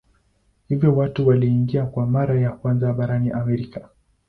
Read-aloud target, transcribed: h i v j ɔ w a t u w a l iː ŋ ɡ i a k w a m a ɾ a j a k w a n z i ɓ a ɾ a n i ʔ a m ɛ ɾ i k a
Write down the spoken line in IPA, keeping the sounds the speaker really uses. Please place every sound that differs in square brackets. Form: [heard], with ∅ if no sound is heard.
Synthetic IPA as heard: h i v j ɔ w a t u w a l iː ŋ ɡ i a k w a m a ɾ a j a k w a n z [a] ɓ a ɾ a n i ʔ a m ɛ ɾ i k a

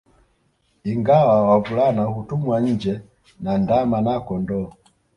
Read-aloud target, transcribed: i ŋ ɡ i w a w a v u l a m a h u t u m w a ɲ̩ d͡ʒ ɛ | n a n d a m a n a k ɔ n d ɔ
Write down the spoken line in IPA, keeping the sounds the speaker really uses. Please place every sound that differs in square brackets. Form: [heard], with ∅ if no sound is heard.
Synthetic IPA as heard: i ŋ ɡ [a] w a w a v u l a [n] a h u t u m w a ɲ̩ d͡ʒ ɛ | n a n d a m a n a k ɔ n d ɔ

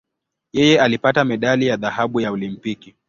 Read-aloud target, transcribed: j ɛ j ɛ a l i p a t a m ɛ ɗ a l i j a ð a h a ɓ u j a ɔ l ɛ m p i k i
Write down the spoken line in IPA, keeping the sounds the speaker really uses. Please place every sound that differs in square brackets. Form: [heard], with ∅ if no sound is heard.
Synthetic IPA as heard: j ɛ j ɛ a l i p a t a m ɛ ɗ a l i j a ð a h a ɓ u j a ɔ l [i] m p i k i

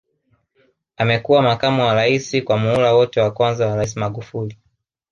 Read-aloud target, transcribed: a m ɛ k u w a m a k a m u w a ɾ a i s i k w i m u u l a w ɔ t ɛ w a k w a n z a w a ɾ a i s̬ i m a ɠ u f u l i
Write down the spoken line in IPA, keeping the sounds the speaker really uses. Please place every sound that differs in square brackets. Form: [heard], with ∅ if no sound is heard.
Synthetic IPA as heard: a m ɛ k u w a m a k a m u w a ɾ a i s i k w [a] m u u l a w ɔ t ɛ w a k w a n z a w a ɾ a i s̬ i m a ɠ u f u l i

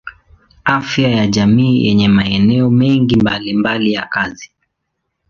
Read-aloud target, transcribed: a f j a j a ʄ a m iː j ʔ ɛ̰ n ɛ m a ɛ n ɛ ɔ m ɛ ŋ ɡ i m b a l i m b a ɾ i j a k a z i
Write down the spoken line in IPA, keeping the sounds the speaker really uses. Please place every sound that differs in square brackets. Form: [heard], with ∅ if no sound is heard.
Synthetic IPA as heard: a f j a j a ʄ a m iː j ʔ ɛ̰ [ɲ] ɛ m a ɛ n ɛ ɔ m ɛ ŋ ɡ i m b a l i m b a [l] i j a k a z i

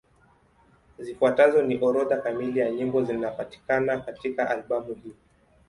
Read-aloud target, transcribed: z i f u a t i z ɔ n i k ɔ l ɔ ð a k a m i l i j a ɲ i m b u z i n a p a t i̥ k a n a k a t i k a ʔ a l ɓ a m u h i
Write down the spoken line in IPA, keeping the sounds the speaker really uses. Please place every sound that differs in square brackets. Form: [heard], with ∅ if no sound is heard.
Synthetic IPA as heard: z i f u a t [a] z ɔ n i [ʔ] ɔ [ɾ] ɔ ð a k a m i l i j a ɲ i m b [ɔ] z i n a p a t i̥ k a n a k a t i k a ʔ a l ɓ a m u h i

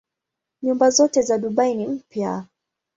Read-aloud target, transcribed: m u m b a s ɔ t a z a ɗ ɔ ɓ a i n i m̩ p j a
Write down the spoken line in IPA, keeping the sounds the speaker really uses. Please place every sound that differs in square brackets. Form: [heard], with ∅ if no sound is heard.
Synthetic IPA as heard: [ɲ] u m b a [z] ɔ t [ɛ] z a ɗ [u] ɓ a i n i m̩ p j a

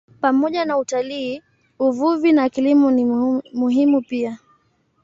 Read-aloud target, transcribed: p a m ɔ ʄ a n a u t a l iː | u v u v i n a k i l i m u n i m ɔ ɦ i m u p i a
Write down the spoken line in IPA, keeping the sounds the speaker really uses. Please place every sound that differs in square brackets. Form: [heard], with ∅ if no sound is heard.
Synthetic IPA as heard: p a m ɔ ʄ a n a u t a l iː | u v u v i n a k i l i m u n i m [u] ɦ i m u p i a

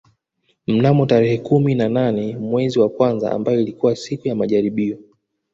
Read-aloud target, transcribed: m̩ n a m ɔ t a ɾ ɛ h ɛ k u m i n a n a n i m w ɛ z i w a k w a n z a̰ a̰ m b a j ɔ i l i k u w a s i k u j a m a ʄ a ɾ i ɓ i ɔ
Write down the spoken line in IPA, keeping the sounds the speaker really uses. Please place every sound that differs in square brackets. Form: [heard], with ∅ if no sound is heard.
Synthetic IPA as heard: m̩ n a m ɔ t a ɾ ɛ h ɛ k u m i n a n a n [ɛ] m w ɛ z i w a k w a n z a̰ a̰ m b a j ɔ i l i k u w a s i k u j a m a ʄ a ɾ i ɓ i ɔ

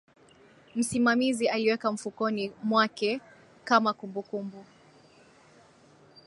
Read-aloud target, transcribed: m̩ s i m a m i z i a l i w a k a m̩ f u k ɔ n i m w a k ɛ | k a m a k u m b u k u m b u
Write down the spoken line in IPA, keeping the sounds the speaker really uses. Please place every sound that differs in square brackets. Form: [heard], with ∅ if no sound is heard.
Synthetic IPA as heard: m̩ s i m a m i z i a l i w [ɛ] k a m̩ f u k ɔ n i m w a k ɛ | k a m a k u m b u k u m b u

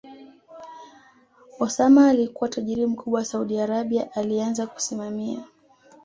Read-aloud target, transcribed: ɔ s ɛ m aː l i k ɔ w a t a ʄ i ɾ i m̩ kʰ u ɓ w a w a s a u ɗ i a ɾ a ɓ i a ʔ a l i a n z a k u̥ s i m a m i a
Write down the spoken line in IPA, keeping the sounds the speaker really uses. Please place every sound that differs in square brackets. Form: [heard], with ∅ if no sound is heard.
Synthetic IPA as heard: ɔ s [a] m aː l i k [u] w a t a ʄ i ɾ i m̩ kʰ u ɓ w a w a s a u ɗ i a ɾ a ɓ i a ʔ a l i a n z a k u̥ s i m a m i a

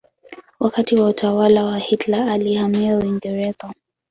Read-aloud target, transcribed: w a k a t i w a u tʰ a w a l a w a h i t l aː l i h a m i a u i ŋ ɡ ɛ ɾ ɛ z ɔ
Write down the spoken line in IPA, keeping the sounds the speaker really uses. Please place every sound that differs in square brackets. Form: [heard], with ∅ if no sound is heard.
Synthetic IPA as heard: w a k a t i w a u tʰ a w a l a w a h i t l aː l i h a m i a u i ŋ ɡ ɛ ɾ ɛ z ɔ

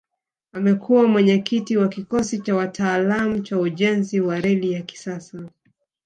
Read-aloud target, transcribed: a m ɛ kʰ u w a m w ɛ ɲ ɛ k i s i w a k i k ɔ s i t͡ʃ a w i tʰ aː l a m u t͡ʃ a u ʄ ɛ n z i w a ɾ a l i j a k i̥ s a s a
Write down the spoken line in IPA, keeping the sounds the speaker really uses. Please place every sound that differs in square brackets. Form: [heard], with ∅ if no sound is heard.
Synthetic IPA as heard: a m ɛ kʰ u w a m w ɛ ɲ ɛ k i [t] i w a k i k ɔ s i t͡ʃ a w [a] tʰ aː l a m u t͡ʃ a u ʄ ɛ n z i w a ɾ [ɛ] l i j a k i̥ s a s a

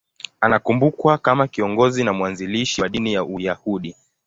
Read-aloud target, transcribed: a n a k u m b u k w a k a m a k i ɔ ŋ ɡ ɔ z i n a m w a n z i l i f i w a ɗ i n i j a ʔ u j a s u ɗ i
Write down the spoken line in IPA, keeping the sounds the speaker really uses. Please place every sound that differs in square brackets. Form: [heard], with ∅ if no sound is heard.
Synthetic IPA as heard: a n a k u m b u k w a k a m a k i ɔ ŋ ɡ ɔ z i n a m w a n z i l i [ʃ] i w a ɗ i n i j a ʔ u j a [h] u ɗ i

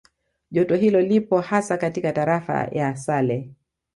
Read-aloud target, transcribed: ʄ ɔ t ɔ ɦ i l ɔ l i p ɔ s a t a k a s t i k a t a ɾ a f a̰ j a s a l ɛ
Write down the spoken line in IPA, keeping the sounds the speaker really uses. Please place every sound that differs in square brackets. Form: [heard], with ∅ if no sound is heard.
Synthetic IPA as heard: ʄ ɔ t ɔ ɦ i l ɔ l i p ɔ [h] a [s] a k a [∅] t i k a t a ɾ a f a̰ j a s a l ɛ

